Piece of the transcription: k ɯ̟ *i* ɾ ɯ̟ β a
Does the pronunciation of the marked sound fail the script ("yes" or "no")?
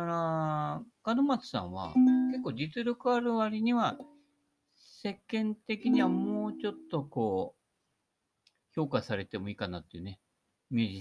yes